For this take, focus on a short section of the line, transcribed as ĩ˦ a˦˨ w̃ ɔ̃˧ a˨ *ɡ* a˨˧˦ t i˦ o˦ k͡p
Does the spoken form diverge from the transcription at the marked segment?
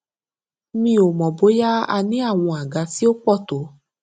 no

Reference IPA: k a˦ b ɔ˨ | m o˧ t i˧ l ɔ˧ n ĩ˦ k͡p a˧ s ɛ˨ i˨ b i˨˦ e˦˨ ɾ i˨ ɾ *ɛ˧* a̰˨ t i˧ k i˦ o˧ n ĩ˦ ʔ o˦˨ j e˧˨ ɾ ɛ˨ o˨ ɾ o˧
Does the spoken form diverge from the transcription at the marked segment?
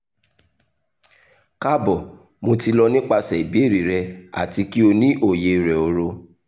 no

